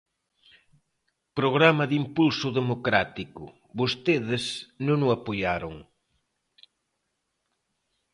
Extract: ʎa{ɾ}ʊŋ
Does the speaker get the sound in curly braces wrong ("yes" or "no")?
no